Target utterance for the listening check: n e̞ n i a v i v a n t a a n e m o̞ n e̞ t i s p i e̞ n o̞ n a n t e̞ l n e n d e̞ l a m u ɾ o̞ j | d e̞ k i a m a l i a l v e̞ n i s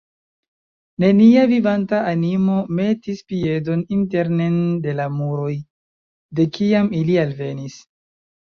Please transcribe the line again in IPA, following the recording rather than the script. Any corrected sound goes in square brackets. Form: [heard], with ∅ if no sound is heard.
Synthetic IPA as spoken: n e̞ n i a v i v a n t a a n [i] m o̞ [m] e̞ t i s p i e̞ [d] o̞ n [i] n t e̞ [ɾ] n e n d e̞ l a m u ɾ o̞ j | d e̞ k i a m [i] l i a l v e̞ n i s